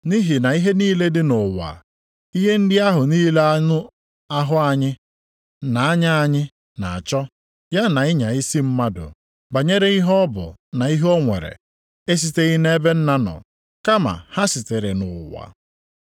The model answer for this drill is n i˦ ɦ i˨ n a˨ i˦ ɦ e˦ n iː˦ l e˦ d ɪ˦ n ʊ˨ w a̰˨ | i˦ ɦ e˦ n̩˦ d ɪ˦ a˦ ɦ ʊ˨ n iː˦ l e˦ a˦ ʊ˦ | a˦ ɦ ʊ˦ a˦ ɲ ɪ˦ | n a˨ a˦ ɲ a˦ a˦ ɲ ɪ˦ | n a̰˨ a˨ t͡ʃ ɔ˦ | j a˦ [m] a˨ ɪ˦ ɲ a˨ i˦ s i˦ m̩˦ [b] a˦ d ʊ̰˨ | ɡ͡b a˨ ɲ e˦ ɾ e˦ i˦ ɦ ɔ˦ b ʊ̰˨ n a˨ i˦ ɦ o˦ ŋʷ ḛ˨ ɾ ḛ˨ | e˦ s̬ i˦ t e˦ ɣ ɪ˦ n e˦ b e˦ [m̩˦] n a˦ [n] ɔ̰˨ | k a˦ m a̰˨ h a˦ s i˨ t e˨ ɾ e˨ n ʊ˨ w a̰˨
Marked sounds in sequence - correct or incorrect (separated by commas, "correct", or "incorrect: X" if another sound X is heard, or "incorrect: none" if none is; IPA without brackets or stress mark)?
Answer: incorrect: n, incorrect: m, incorrect: n̩˦, correct